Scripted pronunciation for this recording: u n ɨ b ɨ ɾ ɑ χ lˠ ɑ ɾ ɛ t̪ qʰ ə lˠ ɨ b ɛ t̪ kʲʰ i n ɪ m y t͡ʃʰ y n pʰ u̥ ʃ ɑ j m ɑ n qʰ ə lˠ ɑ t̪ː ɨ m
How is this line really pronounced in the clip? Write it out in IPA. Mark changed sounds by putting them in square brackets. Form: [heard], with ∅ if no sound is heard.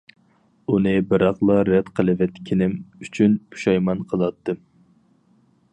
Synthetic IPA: u n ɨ b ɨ ɾ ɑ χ lˠ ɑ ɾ ɛ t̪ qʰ ə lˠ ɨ [v] ɛ t̪ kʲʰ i n ɪ m y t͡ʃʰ y n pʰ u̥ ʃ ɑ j m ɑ n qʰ ə lˠ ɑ t̪ː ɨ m